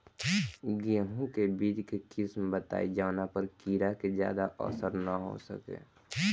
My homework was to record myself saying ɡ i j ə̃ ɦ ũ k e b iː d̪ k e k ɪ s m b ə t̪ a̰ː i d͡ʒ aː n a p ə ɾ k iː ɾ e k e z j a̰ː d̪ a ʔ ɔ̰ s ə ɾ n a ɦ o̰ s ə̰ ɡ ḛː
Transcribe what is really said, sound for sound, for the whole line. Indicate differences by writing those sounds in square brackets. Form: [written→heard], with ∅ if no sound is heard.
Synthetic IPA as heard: ɡ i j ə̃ ɦ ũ k e b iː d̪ k e k ɪ s m b ə t̪ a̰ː i d͡ʒ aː n a p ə ɾ k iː ɾ [e→a] k e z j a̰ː d̪ a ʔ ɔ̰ s ə ɾ n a ɦ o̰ s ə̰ [ɡ→k] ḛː